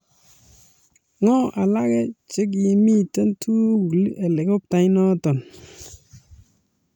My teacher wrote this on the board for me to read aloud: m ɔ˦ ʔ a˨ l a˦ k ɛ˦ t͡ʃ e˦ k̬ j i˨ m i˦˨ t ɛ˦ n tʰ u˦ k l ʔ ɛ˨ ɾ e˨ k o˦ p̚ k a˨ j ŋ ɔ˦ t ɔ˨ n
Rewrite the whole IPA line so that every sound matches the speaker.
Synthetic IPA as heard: ŋ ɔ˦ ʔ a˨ l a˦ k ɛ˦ t͡ʃ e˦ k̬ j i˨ m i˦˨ t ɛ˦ n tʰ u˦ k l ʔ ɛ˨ l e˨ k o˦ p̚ t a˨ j n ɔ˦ t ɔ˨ n